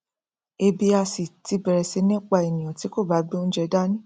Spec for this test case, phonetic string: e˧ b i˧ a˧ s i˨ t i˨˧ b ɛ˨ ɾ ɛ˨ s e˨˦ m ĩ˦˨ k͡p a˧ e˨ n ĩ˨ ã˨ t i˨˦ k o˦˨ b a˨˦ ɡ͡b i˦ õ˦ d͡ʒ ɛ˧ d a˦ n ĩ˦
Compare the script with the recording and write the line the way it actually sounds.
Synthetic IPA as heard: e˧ b i˧ a˧ s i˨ t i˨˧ b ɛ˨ ɾ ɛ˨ s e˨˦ n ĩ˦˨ k͡p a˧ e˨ n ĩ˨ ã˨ t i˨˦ k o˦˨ b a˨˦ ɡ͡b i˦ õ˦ d͡ʒ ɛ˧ d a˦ n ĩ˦